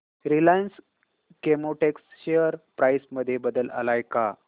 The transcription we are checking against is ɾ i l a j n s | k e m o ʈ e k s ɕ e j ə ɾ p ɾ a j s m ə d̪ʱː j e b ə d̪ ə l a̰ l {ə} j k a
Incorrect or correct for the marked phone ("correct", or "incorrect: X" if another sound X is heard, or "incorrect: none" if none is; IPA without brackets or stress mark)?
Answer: incorrect: a